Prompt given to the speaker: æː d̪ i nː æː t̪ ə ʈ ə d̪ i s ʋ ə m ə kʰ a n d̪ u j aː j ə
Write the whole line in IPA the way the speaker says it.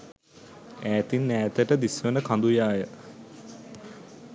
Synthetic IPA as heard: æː t̪ i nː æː t̪ ə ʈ ə d̪ i s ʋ ə n ə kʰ a n d̪ u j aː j ə

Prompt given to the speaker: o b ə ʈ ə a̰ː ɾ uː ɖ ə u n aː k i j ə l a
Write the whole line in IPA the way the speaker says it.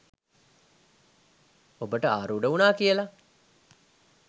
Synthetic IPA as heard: o b ə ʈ ə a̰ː ɾ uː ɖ ə u n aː k i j ə l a

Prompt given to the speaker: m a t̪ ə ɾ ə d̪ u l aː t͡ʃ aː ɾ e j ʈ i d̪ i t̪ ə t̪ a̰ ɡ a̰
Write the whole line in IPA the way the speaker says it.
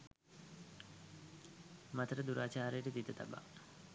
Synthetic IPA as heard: m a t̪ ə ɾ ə d̪ u ɾ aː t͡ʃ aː ɾ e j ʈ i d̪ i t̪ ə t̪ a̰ b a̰

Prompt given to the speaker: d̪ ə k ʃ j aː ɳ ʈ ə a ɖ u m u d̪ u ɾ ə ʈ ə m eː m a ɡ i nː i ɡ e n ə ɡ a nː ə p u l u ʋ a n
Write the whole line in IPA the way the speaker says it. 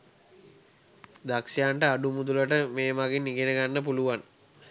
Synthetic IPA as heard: d̪ a k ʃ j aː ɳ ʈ ə a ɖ u m u d̪ u l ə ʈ ə m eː m a ɡ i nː i ɡ e n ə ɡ a nː ə p u l u ʋ a n

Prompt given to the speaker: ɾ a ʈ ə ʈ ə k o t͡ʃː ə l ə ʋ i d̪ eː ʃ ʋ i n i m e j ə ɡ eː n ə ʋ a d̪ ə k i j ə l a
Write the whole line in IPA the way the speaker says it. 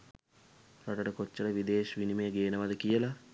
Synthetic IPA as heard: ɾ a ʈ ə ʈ ə k o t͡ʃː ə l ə ʋ i d̪ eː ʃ ʋ i n i m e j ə ɡ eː n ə ʋ a d̪ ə k i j ə l a

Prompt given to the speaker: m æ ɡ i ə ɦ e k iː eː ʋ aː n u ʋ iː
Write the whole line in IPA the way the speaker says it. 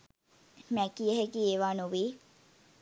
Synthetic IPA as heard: m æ k i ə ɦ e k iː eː ʋ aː n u ʋ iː

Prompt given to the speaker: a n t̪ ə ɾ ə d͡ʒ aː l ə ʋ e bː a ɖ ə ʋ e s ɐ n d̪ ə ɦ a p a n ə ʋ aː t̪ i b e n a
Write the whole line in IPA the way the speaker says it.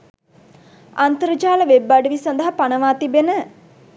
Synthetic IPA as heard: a n t̪ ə ɾ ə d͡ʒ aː l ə ʋ e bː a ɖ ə ʋ i s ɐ n d̪ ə ɦ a p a n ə ʋ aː t̪ i b e n ə

